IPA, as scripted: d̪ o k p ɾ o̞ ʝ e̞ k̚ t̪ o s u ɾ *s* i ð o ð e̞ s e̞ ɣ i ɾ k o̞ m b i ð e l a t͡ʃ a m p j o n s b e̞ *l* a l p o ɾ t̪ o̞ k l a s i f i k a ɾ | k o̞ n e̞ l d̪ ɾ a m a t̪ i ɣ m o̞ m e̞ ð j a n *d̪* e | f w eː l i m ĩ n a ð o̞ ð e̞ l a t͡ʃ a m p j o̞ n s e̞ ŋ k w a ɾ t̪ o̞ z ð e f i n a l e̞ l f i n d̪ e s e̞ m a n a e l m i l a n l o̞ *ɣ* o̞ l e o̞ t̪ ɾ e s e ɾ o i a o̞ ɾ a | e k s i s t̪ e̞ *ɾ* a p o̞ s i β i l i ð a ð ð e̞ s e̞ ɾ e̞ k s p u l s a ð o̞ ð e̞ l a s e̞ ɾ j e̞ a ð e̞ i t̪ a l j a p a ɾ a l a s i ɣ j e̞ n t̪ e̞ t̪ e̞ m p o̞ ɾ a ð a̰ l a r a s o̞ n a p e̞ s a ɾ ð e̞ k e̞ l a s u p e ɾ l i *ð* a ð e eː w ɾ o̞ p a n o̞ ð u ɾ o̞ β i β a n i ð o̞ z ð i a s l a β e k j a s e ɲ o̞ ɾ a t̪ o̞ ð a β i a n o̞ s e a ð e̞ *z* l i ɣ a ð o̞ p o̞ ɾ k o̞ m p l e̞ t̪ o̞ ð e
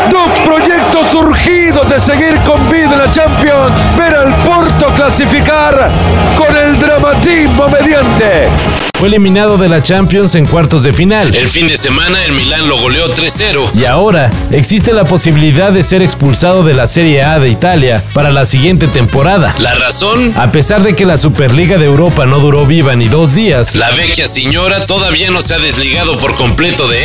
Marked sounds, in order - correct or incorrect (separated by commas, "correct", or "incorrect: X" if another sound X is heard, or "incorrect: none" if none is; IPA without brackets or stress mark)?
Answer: incorrect: x, incorrect: ɾ, incorrect: t̪, correct, incorrect: l, incorrect: ɣ, correct